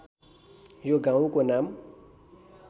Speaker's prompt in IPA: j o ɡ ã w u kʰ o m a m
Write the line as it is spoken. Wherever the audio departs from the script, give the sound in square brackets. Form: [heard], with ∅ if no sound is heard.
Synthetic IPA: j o ɡ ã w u [k] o [n] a m